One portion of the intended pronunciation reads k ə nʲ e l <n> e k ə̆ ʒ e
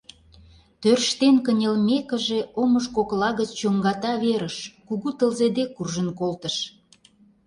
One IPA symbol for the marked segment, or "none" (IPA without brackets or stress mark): m